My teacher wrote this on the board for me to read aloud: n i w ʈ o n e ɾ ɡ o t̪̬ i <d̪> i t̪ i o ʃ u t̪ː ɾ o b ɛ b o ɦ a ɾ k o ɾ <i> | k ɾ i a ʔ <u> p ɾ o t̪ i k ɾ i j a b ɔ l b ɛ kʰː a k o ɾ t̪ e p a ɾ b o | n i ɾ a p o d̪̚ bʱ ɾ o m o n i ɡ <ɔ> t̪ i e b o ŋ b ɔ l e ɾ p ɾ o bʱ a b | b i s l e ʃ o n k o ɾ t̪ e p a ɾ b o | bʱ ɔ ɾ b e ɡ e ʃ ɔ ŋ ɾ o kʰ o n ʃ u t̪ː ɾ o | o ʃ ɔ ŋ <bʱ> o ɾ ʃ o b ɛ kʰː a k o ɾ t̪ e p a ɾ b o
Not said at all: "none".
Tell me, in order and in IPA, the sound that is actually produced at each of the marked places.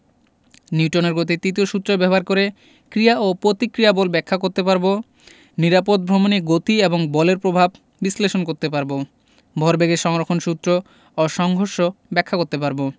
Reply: t̪, e, o, o, ɡʱ

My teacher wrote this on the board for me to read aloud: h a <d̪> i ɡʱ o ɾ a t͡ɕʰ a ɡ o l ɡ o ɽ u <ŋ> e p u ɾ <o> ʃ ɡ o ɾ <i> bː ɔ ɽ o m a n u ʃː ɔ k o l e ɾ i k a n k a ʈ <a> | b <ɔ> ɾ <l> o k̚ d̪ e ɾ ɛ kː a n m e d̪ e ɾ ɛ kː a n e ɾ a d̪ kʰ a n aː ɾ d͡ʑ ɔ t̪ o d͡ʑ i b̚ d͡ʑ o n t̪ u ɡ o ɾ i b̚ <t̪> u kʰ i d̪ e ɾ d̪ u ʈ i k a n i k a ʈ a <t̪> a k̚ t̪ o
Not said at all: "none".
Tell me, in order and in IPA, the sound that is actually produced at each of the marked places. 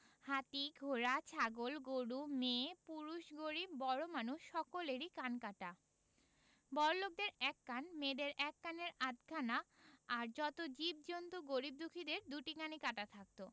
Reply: t̪, m, u, i, a, ɔ, l, d̪, t̪ʰ

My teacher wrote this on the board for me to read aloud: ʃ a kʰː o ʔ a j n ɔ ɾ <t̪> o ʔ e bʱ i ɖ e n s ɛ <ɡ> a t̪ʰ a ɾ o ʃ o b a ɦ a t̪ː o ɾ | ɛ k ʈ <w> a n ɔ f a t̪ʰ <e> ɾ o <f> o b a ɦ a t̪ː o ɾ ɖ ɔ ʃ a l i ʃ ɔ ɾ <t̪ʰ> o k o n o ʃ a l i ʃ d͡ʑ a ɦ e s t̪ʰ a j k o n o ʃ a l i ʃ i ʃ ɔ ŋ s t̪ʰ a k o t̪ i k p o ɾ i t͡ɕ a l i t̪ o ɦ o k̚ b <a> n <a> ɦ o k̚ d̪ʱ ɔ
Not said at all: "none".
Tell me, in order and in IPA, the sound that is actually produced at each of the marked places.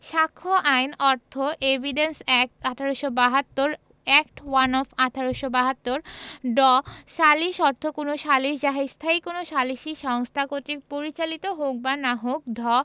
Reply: t̪ʰ, k, w, a, ʃ, t̪ʰ, a, a

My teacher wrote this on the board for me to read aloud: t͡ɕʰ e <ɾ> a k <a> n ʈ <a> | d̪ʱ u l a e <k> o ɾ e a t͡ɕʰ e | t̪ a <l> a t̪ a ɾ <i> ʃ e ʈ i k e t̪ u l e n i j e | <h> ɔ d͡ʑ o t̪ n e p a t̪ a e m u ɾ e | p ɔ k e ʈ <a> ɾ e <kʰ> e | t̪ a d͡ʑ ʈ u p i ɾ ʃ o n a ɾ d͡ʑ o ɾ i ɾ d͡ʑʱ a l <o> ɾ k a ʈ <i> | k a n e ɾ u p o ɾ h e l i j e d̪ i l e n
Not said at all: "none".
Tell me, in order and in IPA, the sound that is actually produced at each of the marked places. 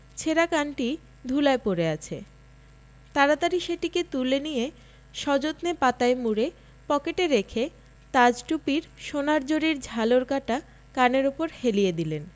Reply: ɾ, a, i, p, ɾ, i, ʃ, e, kʰ, o, a

